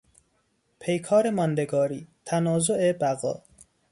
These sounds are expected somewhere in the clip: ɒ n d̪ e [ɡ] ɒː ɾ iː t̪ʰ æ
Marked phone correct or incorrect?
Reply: correct